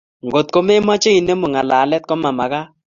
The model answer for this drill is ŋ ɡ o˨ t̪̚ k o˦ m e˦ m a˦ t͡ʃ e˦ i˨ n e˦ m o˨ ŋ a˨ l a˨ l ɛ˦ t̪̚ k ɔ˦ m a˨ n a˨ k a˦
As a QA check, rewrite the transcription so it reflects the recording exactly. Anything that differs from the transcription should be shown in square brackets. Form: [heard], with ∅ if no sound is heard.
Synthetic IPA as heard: ŋ ɡ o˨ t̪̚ k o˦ m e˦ m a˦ t͡ʃ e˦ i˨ n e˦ m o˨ ŋ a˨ l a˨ l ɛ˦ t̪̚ k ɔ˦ m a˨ [m] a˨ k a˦